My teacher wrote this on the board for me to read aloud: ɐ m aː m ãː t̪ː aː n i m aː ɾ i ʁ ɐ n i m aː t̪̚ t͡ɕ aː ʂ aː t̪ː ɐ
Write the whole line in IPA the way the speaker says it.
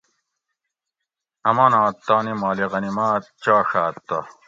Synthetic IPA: ɐ m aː n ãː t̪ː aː n i m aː l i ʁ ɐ n i m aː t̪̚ t͡ɕ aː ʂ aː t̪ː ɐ

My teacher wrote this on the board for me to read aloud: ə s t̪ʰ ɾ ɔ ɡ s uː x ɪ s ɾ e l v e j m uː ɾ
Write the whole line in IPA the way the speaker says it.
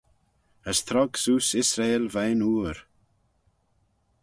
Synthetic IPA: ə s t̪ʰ ɾ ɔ ɡ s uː s ɪ s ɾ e l v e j n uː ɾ

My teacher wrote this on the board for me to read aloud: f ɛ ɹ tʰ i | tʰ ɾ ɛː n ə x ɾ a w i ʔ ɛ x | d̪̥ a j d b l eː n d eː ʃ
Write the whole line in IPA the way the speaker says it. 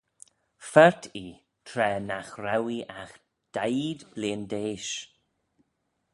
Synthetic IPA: f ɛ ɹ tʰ i | tʰ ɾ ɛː n a x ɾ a w i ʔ a x | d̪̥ a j d b l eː n d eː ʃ

